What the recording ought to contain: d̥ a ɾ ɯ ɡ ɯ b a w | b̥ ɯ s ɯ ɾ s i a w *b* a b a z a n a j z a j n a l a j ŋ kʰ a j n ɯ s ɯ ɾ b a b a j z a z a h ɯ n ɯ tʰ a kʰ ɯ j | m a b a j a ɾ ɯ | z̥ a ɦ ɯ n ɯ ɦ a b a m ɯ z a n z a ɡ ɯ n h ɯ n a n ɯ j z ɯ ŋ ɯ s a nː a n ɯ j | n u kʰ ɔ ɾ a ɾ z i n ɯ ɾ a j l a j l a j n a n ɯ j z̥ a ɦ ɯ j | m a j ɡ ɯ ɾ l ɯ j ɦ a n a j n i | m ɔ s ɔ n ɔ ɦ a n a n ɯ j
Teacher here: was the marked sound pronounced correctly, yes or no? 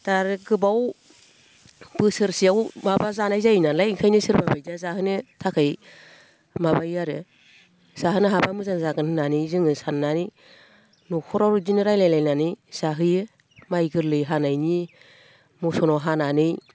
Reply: no